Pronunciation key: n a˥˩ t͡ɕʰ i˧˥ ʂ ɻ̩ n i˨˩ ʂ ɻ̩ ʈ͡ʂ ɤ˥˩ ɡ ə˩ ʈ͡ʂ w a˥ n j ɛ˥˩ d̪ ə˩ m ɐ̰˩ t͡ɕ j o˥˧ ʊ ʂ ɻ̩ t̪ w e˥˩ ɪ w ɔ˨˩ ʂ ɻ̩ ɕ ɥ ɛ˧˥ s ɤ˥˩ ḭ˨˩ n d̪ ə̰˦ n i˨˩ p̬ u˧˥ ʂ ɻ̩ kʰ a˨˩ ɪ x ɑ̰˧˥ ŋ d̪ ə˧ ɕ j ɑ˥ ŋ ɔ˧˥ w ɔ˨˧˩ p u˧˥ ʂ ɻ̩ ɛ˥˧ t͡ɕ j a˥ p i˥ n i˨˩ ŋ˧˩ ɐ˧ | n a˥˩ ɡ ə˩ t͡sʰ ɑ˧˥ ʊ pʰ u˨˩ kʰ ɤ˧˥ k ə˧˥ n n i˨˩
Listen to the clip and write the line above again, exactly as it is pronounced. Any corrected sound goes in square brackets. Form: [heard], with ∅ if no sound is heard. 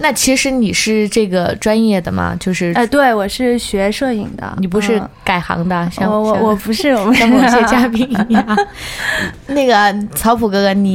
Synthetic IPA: n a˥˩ t͡ɕʰ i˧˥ ʂ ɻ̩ n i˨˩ ʂ ɻ̩ ʈ͡ʂ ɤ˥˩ ɡ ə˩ ʈ͡ʂ w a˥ n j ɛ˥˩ d̪ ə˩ m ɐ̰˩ t͡ɕ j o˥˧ ʊ ʂ ɻ̩ t̪ w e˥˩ ɪ w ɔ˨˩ ʂ ɻ̩ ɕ ɥ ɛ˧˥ [ʂ] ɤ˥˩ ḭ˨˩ [ŋ] d̪ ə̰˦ n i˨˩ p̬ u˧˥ ʂ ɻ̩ [k] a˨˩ ɪ x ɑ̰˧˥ ŋ d̪ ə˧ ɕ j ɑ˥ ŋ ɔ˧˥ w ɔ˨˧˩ p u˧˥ ʂ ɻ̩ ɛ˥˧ t͡ɕ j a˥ p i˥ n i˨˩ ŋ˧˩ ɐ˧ | n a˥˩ ɡ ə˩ t͡sʰ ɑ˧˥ ʊ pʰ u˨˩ [k] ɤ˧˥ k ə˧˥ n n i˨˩